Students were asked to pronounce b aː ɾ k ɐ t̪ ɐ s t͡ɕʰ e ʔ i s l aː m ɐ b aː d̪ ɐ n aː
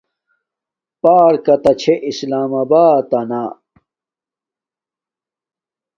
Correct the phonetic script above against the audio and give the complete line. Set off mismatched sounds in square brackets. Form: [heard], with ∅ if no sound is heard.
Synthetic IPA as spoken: [p] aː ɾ k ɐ t̪ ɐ [∅] t͡ɕʰ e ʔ i s l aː m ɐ b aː [t̪] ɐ n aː

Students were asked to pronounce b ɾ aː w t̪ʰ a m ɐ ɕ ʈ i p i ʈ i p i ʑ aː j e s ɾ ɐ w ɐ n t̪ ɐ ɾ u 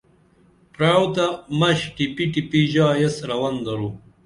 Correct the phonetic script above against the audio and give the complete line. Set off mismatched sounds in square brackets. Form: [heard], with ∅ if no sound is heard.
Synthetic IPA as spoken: [p] ɾ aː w [t̪] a m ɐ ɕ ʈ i p i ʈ i p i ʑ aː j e s ɾ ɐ w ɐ n [d̪] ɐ ɾ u

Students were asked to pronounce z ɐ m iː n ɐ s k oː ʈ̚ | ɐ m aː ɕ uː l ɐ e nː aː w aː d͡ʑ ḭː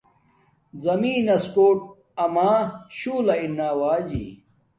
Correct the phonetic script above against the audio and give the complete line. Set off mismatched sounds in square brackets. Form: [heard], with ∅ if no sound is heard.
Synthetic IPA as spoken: z ɐ m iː n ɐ s k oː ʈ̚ | ɐ m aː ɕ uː l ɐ [i] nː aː w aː d͡ʑ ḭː

